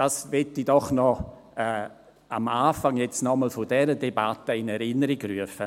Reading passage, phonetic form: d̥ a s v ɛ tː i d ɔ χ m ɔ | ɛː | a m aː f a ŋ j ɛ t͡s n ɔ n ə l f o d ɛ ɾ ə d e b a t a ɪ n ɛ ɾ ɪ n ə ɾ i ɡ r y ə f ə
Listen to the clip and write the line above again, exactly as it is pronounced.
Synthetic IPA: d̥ a s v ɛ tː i d ɔ χ n ɔ | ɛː | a m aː f a ŋ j ɛ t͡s n ɔ m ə l f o d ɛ ɾ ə d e b a t ə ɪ n ɛ ɾ ɪ n ə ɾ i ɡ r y ə f ə